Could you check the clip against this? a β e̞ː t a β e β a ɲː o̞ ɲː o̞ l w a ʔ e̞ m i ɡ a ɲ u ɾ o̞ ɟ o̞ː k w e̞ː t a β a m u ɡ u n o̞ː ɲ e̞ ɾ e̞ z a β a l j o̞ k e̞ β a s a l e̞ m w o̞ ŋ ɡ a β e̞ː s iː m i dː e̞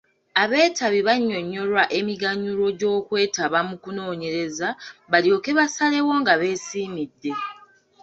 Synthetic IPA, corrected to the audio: a β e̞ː t a β i β a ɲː o̞ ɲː o̞ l w a ʔ e̞ m i ɡ a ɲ u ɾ o̞ ɟ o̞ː k w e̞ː t a β a m u k u n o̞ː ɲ e̞ ɾ e̞ z a β a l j o̞ k e̞ β a s a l e̞ w o̞ ŋ ɡ a β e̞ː s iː m i dː e̞